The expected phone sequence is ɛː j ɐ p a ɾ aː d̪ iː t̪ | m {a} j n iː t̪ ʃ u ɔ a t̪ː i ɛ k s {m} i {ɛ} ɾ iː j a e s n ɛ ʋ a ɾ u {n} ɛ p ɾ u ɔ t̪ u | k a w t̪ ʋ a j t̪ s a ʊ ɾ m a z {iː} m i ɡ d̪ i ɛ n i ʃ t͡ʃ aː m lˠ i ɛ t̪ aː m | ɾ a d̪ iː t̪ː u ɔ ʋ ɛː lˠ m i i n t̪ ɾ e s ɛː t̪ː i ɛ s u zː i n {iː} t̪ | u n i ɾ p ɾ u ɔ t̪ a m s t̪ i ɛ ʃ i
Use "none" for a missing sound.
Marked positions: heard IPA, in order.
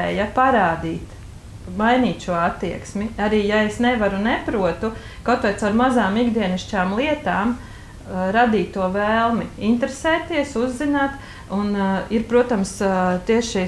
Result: a, m, a, n, aː, aː

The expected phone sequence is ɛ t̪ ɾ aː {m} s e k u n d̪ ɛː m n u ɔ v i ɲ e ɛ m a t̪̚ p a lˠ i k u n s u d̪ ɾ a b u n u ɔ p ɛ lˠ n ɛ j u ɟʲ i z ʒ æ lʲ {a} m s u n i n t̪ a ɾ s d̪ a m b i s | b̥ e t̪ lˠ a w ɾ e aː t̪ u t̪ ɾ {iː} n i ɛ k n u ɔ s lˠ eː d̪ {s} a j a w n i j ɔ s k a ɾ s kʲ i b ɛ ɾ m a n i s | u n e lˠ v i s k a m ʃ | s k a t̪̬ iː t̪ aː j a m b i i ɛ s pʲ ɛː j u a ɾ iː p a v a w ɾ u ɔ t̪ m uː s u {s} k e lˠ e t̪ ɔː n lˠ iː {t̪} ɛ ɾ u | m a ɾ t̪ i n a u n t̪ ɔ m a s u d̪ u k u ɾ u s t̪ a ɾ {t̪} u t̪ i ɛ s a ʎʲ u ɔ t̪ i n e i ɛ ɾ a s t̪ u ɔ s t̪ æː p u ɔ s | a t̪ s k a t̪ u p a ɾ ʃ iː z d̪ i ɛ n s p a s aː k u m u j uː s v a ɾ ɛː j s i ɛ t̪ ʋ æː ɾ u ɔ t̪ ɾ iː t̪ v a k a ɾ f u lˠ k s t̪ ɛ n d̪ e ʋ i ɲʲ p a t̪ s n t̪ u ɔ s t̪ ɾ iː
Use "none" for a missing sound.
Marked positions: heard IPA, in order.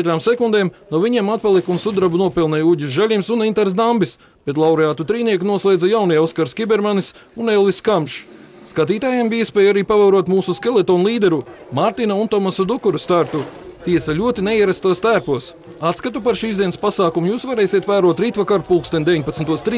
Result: m, i, iː, z, s, d̪, t̪

